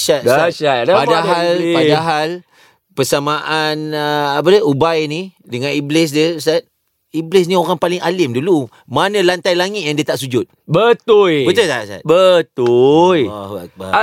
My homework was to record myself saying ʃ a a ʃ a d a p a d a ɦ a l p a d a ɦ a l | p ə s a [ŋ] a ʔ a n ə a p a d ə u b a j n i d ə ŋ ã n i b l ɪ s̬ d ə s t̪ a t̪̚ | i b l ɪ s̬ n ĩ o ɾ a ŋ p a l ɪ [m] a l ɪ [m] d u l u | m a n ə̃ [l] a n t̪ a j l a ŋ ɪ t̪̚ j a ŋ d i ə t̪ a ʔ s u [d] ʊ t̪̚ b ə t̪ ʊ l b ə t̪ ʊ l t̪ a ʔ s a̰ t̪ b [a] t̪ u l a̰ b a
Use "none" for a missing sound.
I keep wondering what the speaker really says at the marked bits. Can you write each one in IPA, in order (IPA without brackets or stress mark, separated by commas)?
m, ŋ, m, l, d͡ʒ, ə